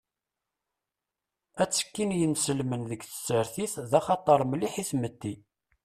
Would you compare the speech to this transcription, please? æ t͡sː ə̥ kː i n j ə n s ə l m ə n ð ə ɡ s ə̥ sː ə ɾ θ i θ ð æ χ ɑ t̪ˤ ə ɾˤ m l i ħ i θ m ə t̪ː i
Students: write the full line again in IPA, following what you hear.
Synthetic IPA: æ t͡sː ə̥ kː i n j ə n s ə l m ə n ð ə ɡ θ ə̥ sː ə ɾ θ i θ ð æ χ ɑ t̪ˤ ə ɾˤ m l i ħ i θ m ə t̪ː i